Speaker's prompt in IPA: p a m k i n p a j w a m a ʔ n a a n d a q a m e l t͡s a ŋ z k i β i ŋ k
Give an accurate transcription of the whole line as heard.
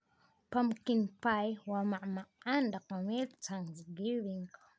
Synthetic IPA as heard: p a m k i n p a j w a m a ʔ m a a n d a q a m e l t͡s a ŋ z ɡ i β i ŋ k